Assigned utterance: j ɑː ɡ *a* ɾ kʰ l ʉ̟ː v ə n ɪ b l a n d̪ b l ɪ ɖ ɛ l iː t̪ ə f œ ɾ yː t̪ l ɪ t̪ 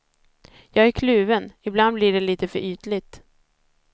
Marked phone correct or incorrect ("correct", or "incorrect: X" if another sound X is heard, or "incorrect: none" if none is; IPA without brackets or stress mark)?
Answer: incorrect: æ